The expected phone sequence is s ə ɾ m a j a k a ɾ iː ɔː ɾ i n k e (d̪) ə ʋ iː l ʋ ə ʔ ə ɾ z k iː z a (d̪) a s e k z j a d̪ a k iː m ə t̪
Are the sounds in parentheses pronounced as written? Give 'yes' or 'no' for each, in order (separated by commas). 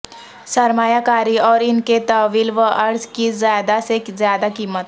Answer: no, yes